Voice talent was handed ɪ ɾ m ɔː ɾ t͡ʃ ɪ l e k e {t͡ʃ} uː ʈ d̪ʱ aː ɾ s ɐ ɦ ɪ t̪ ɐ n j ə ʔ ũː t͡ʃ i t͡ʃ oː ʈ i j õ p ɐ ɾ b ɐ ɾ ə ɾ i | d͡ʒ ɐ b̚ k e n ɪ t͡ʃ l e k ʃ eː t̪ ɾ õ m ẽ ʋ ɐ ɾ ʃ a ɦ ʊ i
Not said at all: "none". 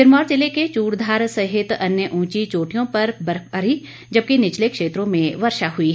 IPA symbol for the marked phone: t͡ʃ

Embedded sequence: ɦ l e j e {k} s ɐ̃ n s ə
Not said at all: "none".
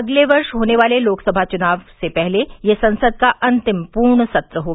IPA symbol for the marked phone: none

